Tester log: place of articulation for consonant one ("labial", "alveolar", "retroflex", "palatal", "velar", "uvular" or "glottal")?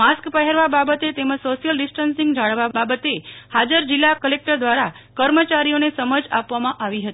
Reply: alveolar